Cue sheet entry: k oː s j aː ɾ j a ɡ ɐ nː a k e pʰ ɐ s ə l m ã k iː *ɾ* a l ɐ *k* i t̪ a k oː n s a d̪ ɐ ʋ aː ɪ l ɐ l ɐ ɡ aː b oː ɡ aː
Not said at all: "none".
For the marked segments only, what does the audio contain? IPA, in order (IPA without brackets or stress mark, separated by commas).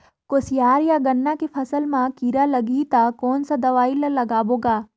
ɾ, ɡ